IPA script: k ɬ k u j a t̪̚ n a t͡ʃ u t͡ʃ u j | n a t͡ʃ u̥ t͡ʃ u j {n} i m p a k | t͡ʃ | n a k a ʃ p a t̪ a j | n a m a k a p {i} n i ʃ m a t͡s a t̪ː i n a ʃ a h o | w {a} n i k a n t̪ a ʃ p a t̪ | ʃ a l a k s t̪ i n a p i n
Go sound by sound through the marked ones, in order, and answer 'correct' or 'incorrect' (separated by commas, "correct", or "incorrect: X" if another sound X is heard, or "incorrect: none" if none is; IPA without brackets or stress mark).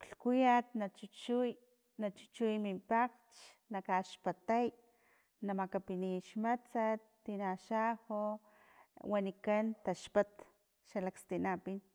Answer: incorrect: m, correct, correct